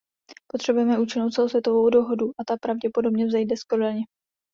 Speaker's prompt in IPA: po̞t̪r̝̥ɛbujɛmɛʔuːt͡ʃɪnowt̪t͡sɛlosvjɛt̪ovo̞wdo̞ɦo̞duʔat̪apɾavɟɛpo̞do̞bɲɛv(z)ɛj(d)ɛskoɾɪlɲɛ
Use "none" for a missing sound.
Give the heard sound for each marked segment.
z, d

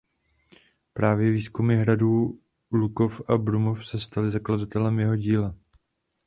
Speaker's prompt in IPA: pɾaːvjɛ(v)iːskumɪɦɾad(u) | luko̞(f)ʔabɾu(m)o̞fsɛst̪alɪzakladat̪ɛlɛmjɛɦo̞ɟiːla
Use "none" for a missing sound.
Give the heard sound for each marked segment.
v, uː, f, m

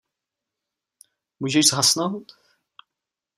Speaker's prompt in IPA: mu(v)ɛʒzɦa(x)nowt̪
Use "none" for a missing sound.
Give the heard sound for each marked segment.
ʒ, s

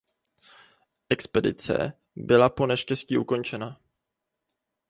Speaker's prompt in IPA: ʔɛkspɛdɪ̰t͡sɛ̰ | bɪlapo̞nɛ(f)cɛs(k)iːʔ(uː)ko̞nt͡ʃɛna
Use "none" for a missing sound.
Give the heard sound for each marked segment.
ʃ, c, u

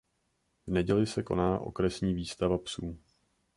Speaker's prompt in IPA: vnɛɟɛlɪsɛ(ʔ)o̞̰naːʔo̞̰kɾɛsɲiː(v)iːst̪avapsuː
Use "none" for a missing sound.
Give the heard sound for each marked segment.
k, v

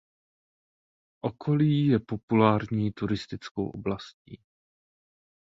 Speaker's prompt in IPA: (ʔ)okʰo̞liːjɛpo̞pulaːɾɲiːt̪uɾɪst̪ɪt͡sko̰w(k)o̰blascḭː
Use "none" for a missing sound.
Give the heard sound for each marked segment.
ʔ, ʔ

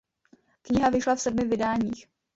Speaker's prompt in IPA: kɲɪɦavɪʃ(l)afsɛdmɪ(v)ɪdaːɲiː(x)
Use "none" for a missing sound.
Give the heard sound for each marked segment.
l, v, x

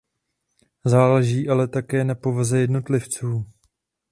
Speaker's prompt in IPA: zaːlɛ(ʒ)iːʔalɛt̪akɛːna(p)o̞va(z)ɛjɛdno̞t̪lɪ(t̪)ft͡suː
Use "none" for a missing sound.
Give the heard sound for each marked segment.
ʒ, p, z, none

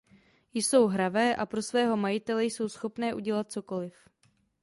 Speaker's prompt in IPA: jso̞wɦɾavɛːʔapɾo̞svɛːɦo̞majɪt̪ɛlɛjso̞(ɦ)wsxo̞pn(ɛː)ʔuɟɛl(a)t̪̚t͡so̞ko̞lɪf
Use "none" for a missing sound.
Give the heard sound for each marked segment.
none, ɛː, a

